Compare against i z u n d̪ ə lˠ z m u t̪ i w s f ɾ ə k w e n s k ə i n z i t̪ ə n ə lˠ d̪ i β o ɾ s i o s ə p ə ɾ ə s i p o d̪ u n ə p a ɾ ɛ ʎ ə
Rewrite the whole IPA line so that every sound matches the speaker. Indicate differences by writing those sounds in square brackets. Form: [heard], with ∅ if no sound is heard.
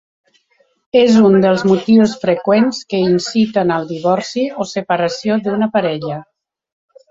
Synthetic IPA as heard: [e] z u n d̪ ə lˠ z m u t̪ i w s f ɾ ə k w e n s k ə i n [s] i t̪ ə n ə lˠ d̪ i β [ɔ] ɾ s i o s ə p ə ɾ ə s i [∅] o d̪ u n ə p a ɾ ɛ ʎ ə

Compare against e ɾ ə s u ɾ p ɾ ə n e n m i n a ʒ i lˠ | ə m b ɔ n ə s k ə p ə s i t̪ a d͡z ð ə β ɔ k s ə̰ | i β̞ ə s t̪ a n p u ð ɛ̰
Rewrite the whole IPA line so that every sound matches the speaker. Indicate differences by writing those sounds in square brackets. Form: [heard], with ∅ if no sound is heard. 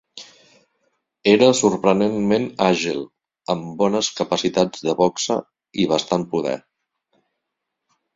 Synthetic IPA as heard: e ɾ ə s u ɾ p ɾ ə n e n m [e] n a ʒ i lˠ | ə m b ɔ n ə s k ə p ə s i t̪ a d͡z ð ə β ɔ k s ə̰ | i β̞ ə s t̪ a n p u ð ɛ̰

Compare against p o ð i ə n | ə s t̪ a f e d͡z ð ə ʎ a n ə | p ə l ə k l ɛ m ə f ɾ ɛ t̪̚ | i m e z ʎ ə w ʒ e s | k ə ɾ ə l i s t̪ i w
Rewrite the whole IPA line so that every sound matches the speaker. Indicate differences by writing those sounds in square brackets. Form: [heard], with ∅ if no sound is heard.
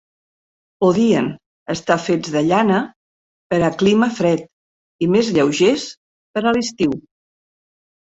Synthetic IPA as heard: p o ð i ə n | ə s t̪ a f e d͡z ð ə ʎ a n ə | p ə [ɾ] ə k l [i] m ə f ɾ ɛ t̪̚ | i m e z ʎ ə w ʒ e s | [p] ə ɾ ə l i s t̪ i w

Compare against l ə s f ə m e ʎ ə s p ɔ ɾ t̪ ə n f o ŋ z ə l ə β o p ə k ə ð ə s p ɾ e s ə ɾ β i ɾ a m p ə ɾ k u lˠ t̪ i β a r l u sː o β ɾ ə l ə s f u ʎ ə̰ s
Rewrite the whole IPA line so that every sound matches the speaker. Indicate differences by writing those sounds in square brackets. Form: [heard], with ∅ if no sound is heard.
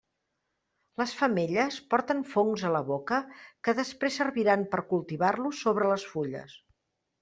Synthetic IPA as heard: l ə s f ə m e ʎ ə s p ɔ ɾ t̪ ə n f o ŋ z ə l ə β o [k] ə k ə ð ə s p ɾ e s ə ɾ β i ɾ a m p ə ɾ k u lˠ t̪ i β a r l u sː o β ɾ ə l ə s f u ʎ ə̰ s

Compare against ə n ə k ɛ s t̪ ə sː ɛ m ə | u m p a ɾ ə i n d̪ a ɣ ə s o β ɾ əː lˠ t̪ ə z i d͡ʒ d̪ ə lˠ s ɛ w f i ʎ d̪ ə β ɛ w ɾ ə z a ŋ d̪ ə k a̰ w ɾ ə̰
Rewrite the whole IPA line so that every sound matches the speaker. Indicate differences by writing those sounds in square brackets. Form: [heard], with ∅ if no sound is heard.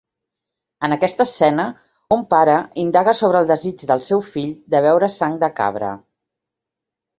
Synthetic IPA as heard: ə n ə k ɛ s t̪ ə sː ɛ [n] ə | u m p a ɾ ə i n d̪ a ɣ ə s o β ɾ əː lˠ [d̪] ə z i d͡ʒ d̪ ə lˠ s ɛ w f i ʎ d̪ ə β ɛ w ɾ ə [s] a ŋ d̪ ə k a̰ [β] ɾ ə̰

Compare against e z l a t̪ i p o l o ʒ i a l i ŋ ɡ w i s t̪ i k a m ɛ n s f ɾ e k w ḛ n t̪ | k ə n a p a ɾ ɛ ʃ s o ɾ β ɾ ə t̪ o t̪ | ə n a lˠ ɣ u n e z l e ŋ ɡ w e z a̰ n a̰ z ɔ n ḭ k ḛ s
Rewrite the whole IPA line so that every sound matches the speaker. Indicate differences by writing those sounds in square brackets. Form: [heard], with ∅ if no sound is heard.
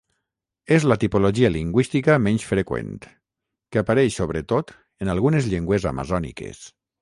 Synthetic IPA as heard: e z l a t̪ i p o l o ʒ i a l i ŋ ɡ w i s t̪ i k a m ɛ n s f ɾ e k w ḛ n t̪ | k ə [∅] a p a ɾ ɛ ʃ s o [∅] β ɾ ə t̪ o t̪ | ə n a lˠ ɣ u n e z [ʎ] e ŋ ɡ w e z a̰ [m] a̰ z ɔ n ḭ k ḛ s

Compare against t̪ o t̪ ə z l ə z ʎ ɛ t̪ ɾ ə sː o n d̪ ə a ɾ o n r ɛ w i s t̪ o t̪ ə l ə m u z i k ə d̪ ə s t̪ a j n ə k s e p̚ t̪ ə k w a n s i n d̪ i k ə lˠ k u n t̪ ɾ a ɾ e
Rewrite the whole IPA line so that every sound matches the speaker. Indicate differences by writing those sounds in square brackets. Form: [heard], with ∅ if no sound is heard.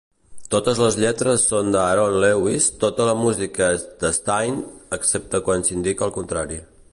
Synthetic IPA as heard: t̪ o t̪ ə z l ə z ʎ ɛ t̪ ɾ ə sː o n d̪ ə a ɾ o n [l] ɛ w i s t̪ o t̪ ə l ə m u z i k ə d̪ ə s t̪ a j n ə k s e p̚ t̪ ə k w a n s i n d̪ i k ə lˠ k u n t̪ ɾ a ɾ [i]

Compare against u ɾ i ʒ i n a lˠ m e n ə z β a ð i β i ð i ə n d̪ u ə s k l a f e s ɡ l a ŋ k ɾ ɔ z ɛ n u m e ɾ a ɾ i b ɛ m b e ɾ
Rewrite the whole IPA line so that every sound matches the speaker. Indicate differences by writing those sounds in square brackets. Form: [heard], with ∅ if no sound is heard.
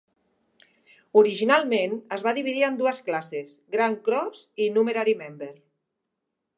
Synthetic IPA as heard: u ɾ i ʒ i n a lˠ m e n ə z β a ð i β i ð i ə n d̪ u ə s k l a [s] e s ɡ [ɾ] a ŋ k ɾ ɔ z [i] n u m e ɾ a ɾ i [m] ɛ m b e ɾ

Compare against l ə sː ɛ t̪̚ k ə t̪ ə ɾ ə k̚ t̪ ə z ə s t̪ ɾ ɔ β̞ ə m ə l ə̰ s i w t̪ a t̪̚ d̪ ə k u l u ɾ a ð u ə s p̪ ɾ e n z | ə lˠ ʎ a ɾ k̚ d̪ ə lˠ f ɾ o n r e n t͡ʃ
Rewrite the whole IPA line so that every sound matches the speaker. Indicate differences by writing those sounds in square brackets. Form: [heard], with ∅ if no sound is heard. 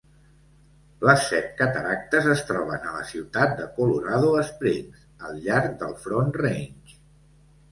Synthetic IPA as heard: l ə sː ɛ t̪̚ k ə t̪ ə ɾ [a] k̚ t̪ ə z ə s t̪ ɾ ɔ β̞ ə [n] ə l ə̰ s i w t̪ a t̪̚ d̪ ə k u l u ɾ a ð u ə s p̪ ɾ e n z | ə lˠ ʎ a ɾ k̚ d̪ ə lˠ f ɾ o n r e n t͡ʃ

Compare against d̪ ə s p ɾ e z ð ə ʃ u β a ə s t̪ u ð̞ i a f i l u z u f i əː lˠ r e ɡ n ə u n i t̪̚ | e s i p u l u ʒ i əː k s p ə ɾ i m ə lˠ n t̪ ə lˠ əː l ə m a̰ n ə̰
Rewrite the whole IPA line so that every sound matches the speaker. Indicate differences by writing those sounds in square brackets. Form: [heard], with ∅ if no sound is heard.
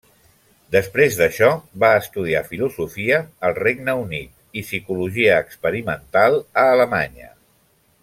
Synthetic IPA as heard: d̪ ə s p ɾ e z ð ə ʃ [ɔ] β a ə s t̪ u ð̞ i a f i l u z u f i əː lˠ r e ɡ n ə u n i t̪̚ | [i] s i [k] u l u ʒ i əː k s p ə ɾ i m ə [∅] n t̪ [a] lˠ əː l ə m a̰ [ɲ] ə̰

